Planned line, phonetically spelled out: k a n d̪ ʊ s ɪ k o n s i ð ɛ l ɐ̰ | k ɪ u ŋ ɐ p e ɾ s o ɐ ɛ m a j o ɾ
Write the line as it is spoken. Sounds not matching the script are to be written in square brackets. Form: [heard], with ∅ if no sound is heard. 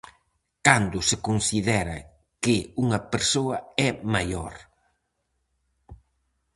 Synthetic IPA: k a n d̪ ʊ s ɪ k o n s i ð ɛ [ɾ] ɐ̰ | k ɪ u ŋ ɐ p e ɾ s o ɐ ɛ m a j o ɾ